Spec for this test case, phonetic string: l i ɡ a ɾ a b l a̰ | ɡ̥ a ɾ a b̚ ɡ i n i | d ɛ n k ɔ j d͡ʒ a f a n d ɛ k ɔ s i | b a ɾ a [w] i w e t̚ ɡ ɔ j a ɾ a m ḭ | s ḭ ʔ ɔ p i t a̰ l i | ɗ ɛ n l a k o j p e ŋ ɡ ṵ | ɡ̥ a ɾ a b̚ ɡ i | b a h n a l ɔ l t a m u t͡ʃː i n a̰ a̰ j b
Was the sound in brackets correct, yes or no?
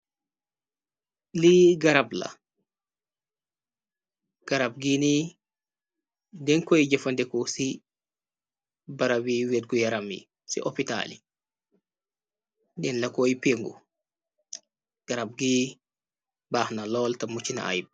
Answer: yes